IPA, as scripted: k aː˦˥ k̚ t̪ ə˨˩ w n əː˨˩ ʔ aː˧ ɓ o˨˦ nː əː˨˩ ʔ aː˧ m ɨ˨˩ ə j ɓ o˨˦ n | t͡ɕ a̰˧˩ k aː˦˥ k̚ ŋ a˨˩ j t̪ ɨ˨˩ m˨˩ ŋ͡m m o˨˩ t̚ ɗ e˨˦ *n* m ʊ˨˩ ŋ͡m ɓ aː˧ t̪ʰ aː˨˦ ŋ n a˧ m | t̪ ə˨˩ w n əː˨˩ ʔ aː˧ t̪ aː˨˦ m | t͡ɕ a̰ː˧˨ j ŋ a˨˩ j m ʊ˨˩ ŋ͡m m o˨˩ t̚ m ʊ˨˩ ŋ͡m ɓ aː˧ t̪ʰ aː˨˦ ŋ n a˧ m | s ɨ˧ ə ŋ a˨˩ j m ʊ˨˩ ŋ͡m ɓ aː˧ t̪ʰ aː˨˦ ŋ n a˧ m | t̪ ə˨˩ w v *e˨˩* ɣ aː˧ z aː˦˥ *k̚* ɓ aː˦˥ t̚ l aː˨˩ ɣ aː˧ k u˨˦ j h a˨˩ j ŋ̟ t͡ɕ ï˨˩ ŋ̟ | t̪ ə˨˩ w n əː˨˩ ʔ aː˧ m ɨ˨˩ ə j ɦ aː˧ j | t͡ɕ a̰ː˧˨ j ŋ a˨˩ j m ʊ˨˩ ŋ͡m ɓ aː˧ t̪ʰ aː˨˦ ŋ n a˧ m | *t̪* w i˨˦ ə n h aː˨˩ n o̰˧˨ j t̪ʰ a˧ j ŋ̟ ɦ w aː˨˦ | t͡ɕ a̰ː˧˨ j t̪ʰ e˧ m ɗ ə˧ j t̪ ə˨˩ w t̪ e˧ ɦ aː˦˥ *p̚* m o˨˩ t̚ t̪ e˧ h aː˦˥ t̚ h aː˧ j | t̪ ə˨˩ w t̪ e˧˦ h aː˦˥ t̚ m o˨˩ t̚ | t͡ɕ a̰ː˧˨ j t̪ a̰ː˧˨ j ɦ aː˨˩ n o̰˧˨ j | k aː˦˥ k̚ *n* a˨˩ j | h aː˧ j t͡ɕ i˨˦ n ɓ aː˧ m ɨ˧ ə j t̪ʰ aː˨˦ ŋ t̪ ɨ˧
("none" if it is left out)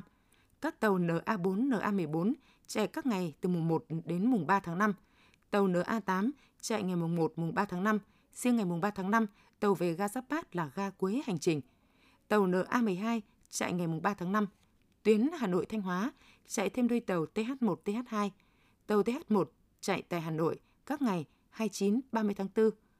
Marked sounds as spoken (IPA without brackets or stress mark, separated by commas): n, e˨˩, p̚, t̪, t̚, ŋ